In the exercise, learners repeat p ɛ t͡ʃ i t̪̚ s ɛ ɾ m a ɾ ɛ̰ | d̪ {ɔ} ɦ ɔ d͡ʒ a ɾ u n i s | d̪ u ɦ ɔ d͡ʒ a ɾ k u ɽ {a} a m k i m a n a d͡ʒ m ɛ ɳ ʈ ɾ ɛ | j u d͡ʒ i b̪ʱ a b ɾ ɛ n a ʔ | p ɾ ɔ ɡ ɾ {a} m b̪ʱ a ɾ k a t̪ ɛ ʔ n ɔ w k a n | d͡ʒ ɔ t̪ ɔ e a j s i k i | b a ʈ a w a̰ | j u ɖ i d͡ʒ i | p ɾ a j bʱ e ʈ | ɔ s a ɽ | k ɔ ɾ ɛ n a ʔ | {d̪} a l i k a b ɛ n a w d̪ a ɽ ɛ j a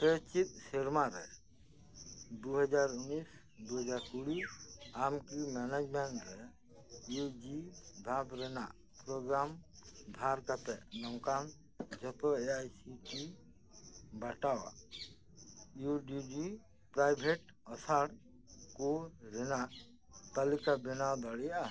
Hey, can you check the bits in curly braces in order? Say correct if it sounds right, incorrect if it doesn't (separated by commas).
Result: incorrect, incorrect, correct, incorrect